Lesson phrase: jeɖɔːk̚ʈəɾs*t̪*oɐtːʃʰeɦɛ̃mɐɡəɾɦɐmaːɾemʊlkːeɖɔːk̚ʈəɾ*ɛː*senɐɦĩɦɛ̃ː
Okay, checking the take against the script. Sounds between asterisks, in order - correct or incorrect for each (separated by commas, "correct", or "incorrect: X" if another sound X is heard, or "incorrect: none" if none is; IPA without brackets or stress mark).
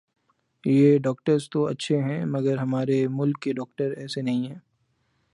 correct, correct